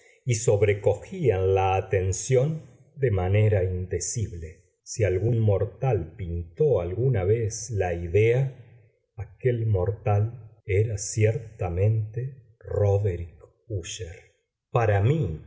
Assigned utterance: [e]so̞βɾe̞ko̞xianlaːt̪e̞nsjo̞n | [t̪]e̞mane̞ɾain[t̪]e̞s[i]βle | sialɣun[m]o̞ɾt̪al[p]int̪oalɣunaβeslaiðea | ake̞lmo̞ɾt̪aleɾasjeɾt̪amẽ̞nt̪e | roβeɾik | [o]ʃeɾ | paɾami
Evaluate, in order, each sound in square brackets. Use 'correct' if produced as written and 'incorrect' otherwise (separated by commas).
incorrect, incorrect, incorrect, correct, correct, correct, incorrect